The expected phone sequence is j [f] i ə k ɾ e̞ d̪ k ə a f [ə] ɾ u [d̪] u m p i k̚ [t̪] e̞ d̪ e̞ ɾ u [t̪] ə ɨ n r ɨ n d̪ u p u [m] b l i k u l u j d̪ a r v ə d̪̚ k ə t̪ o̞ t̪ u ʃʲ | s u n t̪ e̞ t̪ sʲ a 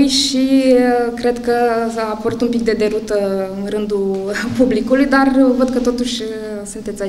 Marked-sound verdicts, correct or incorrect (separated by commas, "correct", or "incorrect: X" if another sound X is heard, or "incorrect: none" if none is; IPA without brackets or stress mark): incorrect: ʃ, correct, incorrect: t̪, incorrect: d̪, correct, incorrect: none